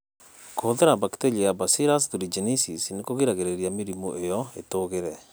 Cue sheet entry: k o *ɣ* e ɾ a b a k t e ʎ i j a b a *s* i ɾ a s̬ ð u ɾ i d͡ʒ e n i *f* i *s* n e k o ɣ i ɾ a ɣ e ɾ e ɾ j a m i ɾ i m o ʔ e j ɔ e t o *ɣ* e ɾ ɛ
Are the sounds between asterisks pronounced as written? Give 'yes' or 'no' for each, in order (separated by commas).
no, yes, no, yes, yes